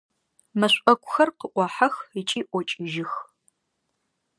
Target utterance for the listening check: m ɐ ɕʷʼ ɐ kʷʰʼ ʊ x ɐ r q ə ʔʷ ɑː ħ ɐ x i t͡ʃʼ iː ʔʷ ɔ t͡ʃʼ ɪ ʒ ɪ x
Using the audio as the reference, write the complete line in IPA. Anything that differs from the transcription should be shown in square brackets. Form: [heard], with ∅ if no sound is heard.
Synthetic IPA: m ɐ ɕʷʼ ɐ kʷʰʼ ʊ x ɐ r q ə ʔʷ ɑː ħ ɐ x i t͡ʃʼ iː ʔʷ ɔ t͡ʃʼ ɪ ʒ ɪ x